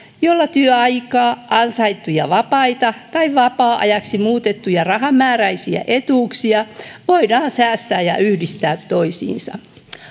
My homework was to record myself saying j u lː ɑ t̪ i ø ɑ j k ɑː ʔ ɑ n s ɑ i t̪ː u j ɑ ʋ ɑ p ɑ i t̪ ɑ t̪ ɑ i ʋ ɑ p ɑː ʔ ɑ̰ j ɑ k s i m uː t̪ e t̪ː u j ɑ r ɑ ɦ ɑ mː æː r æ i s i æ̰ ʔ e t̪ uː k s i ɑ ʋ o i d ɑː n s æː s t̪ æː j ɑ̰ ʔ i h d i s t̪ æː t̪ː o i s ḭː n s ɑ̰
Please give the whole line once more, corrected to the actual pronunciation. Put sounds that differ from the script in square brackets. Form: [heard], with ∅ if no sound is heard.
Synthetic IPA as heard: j [o] lː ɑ t̪ [y] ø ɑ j k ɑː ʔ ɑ n s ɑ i t̪ː u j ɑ ʋ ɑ p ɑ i t̪ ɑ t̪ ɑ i ʋ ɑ p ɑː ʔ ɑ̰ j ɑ k s i m uː t̪ e t̪ː u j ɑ r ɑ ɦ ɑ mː æː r æ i s i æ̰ ʔ e t̪ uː k s i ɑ ʋ o i d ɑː n s æː s t̪ æː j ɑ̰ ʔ [y] h d i s t̪ æː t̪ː o i s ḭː n s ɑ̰